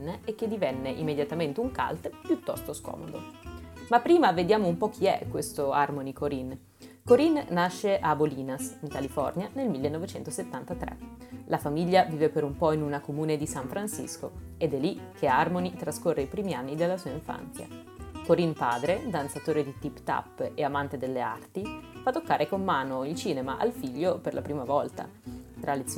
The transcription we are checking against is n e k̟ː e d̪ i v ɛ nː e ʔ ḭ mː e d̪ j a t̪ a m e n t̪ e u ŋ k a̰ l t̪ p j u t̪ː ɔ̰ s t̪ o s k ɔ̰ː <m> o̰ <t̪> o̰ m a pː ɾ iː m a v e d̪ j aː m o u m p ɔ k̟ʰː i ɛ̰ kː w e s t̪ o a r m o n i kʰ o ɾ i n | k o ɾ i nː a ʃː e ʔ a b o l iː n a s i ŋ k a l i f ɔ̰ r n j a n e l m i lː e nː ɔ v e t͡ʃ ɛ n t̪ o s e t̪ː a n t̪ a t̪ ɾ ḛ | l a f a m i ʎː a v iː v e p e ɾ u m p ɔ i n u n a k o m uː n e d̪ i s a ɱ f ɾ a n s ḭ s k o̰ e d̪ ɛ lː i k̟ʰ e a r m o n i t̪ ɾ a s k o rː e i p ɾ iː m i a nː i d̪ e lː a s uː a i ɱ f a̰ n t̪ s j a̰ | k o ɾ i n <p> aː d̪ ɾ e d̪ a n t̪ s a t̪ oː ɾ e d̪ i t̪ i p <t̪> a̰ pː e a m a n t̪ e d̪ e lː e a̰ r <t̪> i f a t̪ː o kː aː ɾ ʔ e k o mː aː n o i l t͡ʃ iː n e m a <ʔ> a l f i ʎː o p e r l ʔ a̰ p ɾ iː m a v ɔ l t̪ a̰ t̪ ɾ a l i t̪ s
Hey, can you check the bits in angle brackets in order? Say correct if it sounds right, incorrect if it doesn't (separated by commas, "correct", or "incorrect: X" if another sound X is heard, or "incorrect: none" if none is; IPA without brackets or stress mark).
correct, incorrect: d̪, correct, correct, correct, correct